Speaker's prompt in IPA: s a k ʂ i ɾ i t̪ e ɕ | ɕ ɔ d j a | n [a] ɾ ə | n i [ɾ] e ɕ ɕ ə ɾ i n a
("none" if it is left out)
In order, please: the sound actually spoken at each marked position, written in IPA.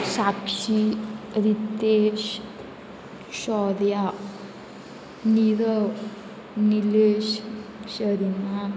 i, l

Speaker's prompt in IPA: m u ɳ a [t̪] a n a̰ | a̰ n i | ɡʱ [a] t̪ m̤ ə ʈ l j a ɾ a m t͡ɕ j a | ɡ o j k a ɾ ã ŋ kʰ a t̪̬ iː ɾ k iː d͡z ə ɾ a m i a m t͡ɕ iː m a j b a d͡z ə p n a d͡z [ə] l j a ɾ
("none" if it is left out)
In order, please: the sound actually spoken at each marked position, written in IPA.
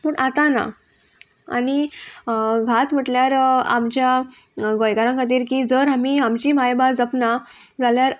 t̪, a, a

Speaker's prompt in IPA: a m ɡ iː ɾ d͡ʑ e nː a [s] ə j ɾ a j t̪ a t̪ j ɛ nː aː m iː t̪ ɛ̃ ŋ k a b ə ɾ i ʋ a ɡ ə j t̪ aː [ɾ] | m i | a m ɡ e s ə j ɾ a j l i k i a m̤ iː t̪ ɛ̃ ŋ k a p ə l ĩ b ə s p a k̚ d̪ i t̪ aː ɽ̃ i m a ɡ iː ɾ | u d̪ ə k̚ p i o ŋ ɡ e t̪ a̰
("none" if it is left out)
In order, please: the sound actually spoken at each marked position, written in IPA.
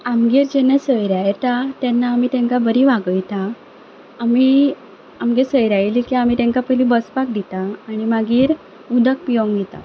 s, none

